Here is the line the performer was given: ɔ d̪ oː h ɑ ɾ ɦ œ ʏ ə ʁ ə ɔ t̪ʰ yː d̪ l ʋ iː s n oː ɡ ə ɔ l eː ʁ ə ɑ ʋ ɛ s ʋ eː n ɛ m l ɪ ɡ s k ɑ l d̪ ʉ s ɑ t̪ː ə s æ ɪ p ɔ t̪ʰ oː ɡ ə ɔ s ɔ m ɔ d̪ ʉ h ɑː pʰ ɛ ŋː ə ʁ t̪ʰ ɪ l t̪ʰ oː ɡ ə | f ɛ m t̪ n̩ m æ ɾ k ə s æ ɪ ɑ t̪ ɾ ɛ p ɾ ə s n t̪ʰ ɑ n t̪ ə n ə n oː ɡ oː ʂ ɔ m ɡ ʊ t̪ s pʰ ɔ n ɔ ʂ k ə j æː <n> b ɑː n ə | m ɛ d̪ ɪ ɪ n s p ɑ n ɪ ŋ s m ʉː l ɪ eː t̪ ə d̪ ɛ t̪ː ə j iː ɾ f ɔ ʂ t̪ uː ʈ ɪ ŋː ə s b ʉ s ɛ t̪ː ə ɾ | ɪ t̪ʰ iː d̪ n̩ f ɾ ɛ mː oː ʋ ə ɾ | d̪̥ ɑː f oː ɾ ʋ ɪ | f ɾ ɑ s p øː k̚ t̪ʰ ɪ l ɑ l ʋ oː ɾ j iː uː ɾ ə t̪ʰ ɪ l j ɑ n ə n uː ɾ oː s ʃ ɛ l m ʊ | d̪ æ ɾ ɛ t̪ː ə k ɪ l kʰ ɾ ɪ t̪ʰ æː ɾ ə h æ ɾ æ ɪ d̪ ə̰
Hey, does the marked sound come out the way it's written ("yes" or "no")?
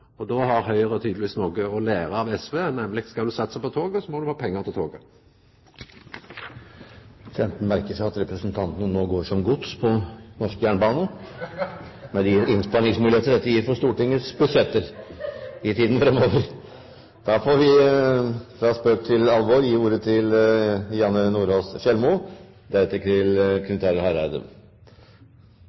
no